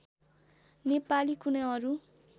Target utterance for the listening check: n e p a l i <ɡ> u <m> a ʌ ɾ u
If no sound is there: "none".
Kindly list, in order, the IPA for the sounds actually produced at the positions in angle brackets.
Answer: k, n

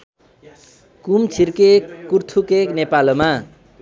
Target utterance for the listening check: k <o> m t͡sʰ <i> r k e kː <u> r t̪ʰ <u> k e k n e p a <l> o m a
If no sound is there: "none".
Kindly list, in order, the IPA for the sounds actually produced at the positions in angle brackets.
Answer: u, i, u, u, l

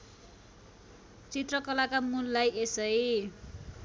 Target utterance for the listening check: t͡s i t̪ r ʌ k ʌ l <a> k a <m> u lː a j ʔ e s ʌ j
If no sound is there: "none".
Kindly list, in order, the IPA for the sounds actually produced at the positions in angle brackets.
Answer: a, m

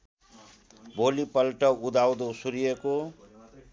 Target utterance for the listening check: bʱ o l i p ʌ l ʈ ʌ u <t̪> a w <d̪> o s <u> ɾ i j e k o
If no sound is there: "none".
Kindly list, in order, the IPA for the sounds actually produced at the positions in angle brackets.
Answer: d̪, d̪, u

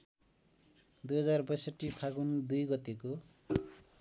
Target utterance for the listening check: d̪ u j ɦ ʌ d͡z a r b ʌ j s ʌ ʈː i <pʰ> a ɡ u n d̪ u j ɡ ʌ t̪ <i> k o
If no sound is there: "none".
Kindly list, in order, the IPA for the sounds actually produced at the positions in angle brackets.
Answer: pʰ, e

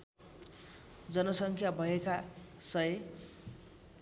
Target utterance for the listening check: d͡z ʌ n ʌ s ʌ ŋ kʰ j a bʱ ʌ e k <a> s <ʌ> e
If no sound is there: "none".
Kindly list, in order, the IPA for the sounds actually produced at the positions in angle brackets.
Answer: a, ʌ

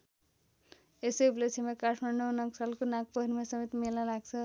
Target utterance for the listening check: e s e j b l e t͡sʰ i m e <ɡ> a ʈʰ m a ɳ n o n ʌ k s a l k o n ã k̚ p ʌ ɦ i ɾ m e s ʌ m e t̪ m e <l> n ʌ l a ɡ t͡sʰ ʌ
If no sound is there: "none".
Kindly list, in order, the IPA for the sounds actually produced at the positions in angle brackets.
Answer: k, l

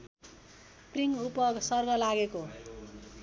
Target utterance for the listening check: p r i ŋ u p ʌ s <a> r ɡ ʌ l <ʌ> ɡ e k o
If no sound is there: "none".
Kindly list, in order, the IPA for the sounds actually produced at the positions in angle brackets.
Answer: ʌ, a

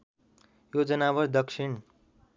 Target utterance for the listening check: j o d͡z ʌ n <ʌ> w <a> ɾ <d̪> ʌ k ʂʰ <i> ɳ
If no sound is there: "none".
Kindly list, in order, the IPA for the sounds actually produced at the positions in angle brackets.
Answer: a, ʌ, d̪, i

